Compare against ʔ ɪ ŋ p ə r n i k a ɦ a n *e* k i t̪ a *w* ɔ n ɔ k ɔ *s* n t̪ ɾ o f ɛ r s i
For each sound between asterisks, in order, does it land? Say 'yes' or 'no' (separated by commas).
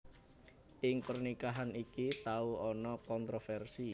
no, no, no